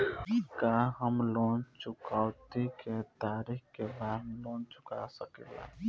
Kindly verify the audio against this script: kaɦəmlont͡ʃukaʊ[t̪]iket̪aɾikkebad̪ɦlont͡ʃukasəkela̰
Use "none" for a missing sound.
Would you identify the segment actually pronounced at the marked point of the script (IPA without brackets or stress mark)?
t̪